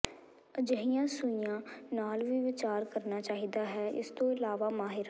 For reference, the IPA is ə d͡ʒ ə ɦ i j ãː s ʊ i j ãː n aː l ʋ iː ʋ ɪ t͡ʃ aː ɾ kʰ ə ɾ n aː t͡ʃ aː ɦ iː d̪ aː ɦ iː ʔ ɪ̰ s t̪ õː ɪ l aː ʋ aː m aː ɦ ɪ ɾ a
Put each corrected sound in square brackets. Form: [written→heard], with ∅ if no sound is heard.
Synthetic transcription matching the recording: ə d͡ʒ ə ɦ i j ãː s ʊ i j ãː n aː l ʋ iː ʋ ɪ t͡ʃ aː ɾ [kʰ→k] ə ɾ n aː t͡ʃ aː ɦ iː d̪ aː ɦ [iː→ɛː] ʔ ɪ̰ s t̪ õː ɪ l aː ʋ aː m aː ɦ ɪ ɾ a